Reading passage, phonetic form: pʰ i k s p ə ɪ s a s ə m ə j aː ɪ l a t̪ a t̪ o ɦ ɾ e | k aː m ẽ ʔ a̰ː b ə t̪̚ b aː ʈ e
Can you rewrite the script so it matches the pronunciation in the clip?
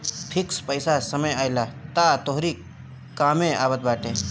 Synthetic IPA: pʰ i k s p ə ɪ s a s ə m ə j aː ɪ l a t̪ a t̪ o ɦ ɾ i | k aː m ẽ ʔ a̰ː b ə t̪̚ b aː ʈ e